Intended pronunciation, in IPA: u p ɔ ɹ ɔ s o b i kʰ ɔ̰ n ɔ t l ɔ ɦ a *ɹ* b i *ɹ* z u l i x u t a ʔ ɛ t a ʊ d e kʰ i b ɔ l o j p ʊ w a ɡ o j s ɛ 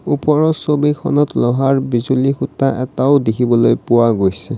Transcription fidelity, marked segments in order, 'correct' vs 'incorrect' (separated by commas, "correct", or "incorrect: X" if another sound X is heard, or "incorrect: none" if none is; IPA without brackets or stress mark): correct, incorrect: none